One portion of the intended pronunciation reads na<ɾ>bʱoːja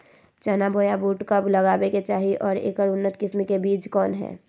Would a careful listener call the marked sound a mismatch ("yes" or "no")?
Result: yes